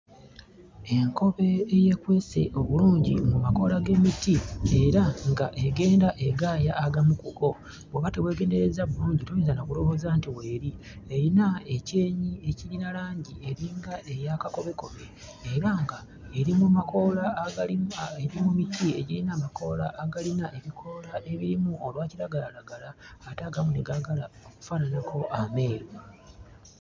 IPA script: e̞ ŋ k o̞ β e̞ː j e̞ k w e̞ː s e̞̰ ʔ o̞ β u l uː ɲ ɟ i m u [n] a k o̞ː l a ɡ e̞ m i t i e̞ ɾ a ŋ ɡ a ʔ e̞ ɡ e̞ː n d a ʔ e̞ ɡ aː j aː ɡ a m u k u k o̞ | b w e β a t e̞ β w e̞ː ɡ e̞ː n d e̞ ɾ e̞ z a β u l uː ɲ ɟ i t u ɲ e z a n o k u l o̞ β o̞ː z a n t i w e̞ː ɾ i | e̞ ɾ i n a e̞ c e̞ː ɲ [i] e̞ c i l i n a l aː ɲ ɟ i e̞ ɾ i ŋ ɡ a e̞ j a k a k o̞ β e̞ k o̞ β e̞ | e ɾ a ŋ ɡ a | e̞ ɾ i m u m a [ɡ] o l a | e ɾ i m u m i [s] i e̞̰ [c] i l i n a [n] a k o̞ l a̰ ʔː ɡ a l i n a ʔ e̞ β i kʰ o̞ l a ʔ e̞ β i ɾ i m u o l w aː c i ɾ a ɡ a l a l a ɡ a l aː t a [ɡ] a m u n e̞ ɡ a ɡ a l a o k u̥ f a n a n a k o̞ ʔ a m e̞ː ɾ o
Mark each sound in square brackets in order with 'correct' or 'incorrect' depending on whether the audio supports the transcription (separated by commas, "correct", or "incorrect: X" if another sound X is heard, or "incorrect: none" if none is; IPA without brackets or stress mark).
incorrect: m, correct, incorrect: k, incorrect: t, incorrect: ɟ, incorrect: m, correct